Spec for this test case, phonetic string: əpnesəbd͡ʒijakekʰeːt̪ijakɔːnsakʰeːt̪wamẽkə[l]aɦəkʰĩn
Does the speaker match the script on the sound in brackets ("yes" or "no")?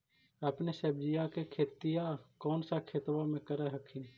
no